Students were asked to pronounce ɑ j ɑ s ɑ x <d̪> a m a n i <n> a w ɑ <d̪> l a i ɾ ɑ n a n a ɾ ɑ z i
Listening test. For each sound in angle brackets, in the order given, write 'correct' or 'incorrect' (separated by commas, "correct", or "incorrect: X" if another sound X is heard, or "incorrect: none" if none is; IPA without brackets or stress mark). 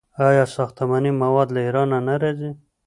incorrect: t̪, incorrect: m, correct